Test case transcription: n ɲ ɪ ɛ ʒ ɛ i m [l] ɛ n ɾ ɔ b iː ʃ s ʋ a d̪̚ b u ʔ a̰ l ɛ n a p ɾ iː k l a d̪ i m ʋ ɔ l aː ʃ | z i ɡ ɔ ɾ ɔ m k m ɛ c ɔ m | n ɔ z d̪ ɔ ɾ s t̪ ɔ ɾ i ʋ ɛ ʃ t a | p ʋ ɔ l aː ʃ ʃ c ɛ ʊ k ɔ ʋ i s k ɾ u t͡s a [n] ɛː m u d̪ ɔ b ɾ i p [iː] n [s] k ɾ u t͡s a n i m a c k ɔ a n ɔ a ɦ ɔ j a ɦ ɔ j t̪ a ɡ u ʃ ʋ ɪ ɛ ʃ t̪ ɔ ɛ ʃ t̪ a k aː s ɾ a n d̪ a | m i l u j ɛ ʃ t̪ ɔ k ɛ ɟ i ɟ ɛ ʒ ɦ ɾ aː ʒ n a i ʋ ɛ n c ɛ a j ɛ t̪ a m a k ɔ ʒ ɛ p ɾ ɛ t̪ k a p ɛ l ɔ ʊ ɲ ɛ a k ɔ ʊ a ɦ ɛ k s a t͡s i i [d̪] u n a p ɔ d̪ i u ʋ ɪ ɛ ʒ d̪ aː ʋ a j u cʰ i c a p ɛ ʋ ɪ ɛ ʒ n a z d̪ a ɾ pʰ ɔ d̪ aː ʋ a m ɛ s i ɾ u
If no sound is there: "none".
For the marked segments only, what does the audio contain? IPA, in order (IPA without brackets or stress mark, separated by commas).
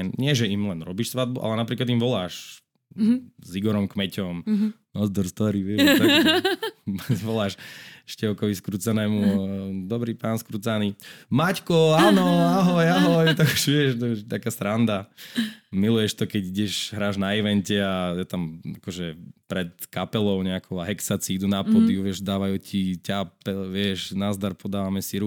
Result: l, n, aː, s, d̪